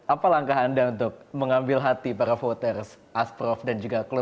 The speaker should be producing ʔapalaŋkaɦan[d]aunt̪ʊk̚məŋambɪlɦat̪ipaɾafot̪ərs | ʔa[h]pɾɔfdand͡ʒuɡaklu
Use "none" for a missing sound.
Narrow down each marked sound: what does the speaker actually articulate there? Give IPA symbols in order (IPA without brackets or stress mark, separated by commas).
d, s